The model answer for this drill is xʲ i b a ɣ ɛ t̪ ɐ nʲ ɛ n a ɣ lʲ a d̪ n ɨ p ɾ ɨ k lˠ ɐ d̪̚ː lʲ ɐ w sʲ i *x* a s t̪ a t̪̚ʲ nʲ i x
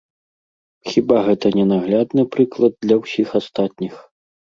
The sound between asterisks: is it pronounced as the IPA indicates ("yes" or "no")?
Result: yes